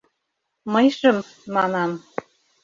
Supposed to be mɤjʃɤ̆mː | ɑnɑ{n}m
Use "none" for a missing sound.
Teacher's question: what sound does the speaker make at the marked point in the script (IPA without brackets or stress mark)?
none